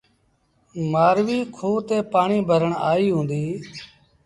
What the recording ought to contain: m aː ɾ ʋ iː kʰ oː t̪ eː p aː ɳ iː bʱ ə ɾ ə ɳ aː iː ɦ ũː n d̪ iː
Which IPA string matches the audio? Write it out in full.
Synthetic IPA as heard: m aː ɾ ʋ iː kʰ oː t̪ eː p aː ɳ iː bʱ ə ɾ ə ɳ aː iː ɦ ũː n d̪ iː

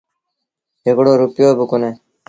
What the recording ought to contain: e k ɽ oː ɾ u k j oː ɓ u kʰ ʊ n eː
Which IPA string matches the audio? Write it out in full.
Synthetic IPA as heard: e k ɽ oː ɾ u p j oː b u k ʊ n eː

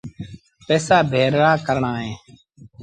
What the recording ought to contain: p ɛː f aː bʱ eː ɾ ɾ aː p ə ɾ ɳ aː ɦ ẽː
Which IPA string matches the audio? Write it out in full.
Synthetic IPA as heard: p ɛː s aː bʱ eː ɾ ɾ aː k ə ɾ ɳ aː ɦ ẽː

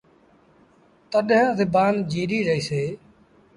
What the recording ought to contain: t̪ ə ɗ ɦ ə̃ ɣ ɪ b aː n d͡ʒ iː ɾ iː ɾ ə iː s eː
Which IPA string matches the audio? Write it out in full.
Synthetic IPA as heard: t̪ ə ɗ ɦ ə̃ z ɪ b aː n d͡ʒ iː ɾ iː ɾ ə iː s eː

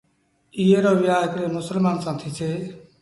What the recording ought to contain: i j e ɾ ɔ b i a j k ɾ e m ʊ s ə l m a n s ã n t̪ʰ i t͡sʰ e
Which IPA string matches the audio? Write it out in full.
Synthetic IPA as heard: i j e ɾ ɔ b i a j k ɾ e m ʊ s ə l m a n s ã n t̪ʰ i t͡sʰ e

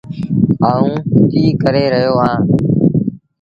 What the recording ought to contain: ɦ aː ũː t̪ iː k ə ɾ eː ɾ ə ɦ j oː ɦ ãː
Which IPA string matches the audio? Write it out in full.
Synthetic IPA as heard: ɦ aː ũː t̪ iː k ə ɾ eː ɾ ə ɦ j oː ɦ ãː

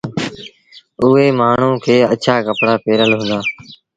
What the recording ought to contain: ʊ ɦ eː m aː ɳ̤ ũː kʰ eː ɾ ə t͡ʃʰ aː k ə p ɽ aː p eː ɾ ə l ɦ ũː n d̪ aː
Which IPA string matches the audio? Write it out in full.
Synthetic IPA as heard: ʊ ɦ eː m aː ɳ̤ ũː kʰ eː ə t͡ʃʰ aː k ə p ɽ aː p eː ɾ ə l ɦ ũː n d̪ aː

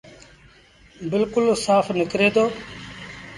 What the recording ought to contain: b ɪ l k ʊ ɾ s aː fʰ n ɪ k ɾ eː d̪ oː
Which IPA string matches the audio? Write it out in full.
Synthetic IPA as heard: b ɪ l k ʊ l s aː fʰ n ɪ k ɾ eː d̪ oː

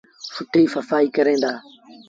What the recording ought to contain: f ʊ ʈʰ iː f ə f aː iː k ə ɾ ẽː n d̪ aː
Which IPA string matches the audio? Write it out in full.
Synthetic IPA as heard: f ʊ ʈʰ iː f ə f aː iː k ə ɾ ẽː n d̪ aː

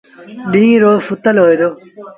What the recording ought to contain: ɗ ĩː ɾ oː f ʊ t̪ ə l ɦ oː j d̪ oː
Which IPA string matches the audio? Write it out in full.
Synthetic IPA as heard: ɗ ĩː ɾ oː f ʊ t̪ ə l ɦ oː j d̪ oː

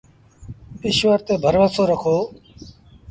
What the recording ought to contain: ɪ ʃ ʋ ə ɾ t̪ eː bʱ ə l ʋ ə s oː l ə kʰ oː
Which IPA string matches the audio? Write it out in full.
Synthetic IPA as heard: ɪ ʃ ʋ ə ɾ t̪ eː bʱ ə ɾ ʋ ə s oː ɾ ə kʰ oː

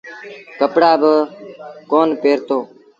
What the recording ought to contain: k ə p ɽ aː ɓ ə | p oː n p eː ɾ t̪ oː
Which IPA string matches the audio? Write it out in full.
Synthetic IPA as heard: k ə p ɽ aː b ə | k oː n p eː ɾ t̪ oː

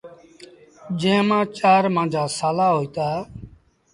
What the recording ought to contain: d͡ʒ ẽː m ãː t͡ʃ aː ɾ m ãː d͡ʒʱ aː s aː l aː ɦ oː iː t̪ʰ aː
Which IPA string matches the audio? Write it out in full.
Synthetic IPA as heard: d͡ʒ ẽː m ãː t͡ʃ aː ɾ m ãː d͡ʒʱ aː s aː l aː ɦ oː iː t̪ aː

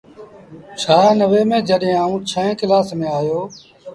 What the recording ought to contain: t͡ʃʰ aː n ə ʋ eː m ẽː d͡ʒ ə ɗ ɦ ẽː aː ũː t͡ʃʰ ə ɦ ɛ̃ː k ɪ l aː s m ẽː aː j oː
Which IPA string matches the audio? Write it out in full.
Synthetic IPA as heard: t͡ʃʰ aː n ə ʋ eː m ẽː d͡ʒ ə ɗ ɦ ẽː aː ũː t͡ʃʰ ə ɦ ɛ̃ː k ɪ l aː s m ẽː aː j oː

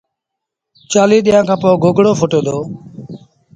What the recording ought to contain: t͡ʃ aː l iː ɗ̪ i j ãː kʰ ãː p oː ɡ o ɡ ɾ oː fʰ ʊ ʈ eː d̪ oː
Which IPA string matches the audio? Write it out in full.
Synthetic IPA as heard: t͡ʃ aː l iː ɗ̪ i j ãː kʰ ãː p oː ɡ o ɡ ɽ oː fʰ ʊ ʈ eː d̪ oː

